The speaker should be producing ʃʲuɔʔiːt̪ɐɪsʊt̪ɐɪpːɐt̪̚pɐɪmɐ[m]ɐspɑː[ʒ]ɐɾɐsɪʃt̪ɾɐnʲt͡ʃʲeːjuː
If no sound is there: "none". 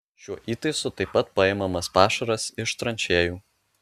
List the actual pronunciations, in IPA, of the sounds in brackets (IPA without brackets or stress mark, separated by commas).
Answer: m, ʃ